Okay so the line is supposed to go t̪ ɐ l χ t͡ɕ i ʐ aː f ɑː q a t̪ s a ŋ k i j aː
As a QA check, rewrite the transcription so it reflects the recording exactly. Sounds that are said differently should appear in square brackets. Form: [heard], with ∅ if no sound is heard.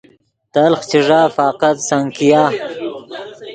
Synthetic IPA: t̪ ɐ l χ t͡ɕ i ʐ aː f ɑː q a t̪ s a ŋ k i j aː